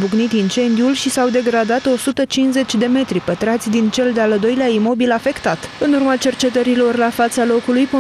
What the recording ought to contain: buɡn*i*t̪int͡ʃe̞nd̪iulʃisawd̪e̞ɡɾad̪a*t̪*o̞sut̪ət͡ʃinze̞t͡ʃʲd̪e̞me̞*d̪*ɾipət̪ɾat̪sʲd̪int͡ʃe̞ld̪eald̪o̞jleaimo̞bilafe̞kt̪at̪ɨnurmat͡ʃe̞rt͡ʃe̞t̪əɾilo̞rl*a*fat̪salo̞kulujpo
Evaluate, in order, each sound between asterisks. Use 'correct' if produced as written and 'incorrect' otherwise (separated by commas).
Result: correct, correct, incorrect, correct